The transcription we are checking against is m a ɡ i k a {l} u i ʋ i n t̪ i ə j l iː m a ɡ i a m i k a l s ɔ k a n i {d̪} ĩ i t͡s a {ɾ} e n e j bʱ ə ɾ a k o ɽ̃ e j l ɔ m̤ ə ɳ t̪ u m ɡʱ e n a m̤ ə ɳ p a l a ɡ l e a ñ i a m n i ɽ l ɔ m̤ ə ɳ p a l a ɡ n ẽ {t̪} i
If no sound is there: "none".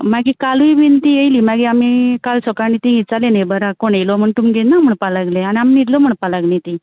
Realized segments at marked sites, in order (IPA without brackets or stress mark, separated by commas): l, t̪, l, t̪